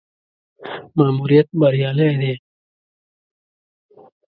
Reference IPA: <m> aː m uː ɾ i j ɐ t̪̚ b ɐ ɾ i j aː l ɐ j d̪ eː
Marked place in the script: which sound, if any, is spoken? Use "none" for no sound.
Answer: m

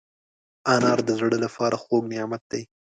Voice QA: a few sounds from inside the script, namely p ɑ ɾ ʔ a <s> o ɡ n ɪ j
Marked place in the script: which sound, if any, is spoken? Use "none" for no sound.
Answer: x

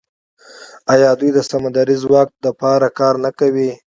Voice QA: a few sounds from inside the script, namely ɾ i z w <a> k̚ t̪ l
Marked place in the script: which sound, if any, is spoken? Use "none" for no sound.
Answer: ɑ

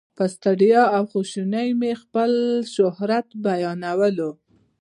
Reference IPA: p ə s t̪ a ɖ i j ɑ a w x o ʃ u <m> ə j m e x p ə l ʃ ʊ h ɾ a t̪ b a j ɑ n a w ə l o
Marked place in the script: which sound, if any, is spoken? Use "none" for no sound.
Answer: n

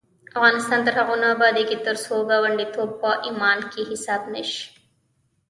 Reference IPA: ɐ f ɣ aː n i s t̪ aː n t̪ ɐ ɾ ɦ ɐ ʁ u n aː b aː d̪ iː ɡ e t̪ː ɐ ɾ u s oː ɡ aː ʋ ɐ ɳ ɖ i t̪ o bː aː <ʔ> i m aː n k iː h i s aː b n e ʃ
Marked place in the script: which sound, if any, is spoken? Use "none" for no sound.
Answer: ʔ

